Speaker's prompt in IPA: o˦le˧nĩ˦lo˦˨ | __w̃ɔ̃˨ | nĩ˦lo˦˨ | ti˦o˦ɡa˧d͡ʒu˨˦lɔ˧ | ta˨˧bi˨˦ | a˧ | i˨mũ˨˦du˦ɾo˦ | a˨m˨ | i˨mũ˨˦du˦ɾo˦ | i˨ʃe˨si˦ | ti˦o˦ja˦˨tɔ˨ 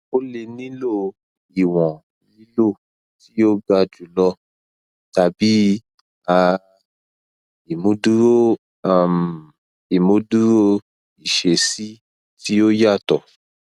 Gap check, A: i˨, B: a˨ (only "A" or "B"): A